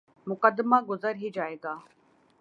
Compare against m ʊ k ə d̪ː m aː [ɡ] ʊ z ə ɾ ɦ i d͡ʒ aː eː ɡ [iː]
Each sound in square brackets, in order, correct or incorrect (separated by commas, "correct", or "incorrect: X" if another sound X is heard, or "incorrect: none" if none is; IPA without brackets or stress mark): correct, incorrect: aː